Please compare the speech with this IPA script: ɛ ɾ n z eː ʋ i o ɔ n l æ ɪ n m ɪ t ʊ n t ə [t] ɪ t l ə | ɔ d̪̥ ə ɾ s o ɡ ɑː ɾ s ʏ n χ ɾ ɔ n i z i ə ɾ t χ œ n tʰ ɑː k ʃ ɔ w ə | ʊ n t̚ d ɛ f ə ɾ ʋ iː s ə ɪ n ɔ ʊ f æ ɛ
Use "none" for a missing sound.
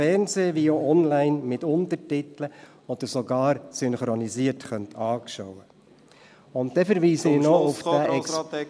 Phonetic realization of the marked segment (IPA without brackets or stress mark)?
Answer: t